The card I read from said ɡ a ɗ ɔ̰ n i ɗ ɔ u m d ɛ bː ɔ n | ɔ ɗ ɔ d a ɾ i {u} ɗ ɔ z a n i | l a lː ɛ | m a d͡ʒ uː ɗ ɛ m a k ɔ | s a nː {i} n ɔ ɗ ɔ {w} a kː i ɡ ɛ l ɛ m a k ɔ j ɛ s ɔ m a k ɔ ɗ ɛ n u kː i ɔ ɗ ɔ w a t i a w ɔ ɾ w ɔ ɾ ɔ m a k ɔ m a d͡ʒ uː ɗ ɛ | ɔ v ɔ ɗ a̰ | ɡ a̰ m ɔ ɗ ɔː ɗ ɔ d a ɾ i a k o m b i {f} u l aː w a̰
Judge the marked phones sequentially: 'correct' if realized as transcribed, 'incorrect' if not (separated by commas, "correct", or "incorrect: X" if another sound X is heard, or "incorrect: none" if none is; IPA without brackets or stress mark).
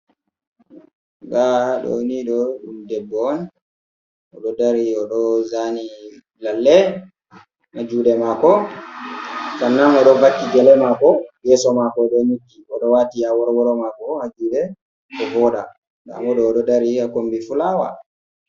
incorrect: ɔ, incorrect: a, incorrect: v, correct